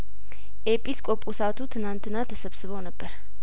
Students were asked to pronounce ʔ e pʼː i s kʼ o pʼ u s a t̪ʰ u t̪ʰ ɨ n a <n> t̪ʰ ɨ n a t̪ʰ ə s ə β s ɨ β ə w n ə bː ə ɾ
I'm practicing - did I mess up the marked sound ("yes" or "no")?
no